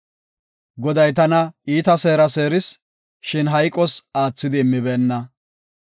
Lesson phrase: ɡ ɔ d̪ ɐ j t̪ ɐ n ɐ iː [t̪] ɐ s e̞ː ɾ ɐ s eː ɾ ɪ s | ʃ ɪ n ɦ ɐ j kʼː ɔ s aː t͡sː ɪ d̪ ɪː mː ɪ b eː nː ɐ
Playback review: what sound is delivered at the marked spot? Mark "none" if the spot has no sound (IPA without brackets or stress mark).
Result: t̪